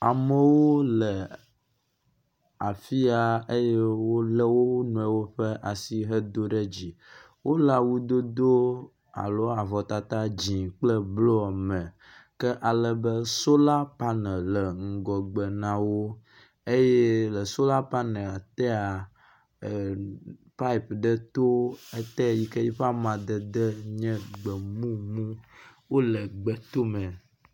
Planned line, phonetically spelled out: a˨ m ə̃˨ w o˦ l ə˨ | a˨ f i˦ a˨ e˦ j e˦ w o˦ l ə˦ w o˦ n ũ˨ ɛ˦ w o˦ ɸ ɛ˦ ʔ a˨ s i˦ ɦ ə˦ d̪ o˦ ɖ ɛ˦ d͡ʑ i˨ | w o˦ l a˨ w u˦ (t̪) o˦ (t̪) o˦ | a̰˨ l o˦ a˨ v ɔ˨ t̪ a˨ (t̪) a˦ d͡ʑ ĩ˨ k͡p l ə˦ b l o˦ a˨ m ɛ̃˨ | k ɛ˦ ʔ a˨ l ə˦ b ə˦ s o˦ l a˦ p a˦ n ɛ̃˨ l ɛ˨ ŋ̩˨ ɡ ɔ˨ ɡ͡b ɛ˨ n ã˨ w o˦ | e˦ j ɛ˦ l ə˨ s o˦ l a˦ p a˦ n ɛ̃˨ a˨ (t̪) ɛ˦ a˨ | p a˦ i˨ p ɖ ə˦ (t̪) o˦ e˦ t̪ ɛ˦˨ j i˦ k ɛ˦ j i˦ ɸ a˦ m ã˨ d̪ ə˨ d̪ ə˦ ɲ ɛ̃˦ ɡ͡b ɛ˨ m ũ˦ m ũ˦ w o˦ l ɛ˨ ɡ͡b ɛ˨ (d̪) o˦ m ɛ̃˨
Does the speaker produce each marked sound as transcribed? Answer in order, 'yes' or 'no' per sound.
no, no, yes, yes, yes, no

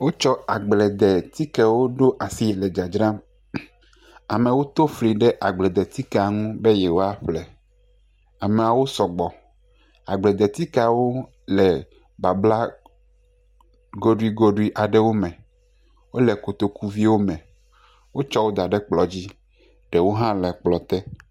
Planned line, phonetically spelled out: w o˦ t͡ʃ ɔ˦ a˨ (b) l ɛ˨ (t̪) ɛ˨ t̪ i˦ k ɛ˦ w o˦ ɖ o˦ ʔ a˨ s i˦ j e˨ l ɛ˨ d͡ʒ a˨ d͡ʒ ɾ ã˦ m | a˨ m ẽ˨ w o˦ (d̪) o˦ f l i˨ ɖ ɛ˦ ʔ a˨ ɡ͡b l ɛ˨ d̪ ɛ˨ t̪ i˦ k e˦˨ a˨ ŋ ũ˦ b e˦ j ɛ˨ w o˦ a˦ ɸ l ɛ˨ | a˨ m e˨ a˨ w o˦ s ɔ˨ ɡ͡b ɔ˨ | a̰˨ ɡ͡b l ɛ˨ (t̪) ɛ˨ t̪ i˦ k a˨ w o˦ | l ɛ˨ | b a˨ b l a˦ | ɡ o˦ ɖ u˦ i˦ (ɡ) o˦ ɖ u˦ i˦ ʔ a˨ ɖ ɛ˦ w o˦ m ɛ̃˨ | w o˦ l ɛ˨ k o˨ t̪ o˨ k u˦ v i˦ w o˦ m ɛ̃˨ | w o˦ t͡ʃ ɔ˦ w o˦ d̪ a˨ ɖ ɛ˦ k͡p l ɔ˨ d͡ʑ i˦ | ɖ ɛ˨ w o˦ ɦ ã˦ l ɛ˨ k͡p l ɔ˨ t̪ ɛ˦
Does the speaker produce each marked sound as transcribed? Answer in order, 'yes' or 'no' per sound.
no, no, no, no, yes

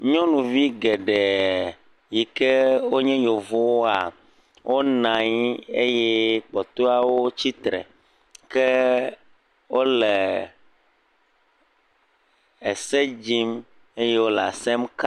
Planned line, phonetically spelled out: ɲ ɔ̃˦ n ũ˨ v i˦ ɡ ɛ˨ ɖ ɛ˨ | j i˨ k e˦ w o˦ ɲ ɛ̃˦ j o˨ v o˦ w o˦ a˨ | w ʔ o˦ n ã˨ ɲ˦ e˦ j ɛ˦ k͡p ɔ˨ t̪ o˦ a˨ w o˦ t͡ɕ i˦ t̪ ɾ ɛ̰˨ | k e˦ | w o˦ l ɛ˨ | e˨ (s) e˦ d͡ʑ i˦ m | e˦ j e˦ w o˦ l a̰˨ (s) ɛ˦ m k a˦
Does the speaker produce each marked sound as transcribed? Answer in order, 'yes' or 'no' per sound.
yes, yes

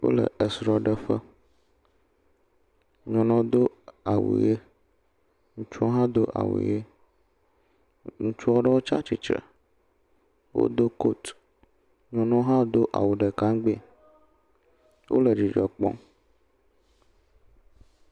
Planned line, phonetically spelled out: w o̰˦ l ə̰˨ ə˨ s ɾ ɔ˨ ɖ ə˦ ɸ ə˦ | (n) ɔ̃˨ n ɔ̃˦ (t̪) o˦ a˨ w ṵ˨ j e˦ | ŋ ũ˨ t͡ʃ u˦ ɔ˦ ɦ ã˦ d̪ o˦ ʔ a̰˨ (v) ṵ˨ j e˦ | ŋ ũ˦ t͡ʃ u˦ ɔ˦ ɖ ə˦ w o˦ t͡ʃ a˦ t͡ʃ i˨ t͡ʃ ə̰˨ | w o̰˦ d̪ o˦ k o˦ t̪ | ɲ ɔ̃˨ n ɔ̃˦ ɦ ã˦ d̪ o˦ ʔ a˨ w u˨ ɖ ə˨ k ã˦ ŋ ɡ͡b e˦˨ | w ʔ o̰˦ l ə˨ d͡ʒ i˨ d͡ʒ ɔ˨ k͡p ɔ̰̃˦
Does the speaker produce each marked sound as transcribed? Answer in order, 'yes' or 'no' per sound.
no, no, no

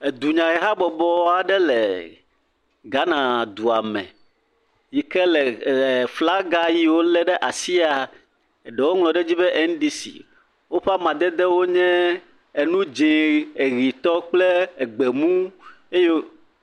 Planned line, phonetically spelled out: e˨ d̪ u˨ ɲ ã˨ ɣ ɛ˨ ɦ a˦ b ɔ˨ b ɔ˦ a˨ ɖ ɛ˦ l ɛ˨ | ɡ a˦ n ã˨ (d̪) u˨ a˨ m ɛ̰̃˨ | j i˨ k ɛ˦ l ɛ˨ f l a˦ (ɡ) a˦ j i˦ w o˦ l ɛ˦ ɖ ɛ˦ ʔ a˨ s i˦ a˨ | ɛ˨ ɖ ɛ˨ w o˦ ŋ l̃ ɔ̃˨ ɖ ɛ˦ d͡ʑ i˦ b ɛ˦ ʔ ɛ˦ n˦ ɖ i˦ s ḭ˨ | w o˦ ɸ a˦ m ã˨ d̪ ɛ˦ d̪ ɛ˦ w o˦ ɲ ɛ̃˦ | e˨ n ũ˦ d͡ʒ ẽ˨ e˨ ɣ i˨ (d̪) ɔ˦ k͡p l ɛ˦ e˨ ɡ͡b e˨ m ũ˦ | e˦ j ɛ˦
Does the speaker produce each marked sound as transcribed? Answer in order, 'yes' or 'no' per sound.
yes, yes, no

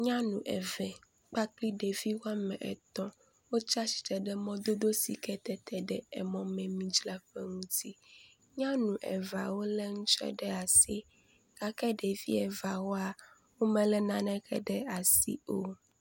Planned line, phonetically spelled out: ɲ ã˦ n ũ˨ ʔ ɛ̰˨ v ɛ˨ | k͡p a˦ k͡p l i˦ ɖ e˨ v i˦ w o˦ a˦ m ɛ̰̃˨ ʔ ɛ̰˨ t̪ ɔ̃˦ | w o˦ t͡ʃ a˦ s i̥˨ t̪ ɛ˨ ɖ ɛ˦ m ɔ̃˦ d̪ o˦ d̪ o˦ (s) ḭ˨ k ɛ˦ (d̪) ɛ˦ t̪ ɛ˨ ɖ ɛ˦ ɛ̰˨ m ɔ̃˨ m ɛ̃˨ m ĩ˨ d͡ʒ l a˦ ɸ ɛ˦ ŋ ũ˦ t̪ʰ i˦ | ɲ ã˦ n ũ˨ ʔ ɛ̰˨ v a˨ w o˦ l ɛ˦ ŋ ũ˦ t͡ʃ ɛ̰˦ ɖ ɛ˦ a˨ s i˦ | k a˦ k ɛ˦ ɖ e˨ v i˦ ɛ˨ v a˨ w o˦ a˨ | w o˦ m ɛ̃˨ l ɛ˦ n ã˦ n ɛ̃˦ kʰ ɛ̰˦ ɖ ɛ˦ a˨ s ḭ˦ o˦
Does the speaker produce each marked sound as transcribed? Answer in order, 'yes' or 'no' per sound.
yes, no

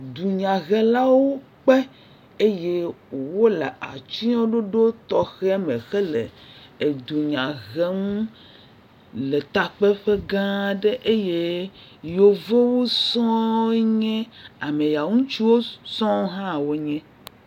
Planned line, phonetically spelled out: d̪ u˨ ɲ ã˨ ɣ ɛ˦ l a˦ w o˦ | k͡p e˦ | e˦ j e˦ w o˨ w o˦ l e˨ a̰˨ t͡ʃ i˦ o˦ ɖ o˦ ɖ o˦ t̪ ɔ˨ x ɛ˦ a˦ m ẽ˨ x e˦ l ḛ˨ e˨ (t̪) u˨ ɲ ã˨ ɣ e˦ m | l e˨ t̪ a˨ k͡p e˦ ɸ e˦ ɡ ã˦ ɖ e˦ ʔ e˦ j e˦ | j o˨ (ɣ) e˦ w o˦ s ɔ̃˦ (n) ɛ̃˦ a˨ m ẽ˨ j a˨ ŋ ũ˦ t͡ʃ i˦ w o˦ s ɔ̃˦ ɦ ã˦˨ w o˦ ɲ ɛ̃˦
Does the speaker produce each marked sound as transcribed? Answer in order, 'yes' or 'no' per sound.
no, no, no

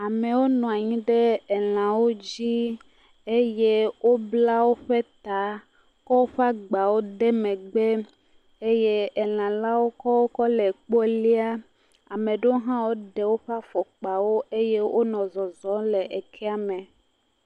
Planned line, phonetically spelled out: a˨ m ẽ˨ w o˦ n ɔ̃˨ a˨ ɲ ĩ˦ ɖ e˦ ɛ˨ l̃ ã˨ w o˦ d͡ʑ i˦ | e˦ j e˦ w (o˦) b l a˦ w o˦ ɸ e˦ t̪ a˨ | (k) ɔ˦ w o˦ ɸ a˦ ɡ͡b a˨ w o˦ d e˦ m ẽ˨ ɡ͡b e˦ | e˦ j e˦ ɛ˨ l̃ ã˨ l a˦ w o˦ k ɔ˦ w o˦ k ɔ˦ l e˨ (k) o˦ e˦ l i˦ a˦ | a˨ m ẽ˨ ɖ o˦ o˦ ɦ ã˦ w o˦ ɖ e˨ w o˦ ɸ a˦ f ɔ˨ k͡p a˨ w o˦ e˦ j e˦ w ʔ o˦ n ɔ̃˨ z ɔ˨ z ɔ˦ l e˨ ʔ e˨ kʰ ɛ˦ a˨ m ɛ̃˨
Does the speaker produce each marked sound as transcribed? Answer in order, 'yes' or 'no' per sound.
yes, yes, no

